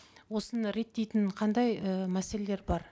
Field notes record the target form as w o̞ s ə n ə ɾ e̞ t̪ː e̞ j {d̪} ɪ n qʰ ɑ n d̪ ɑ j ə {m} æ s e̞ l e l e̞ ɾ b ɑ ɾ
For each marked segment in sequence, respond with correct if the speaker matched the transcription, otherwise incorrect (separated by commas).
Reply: incorrect, correct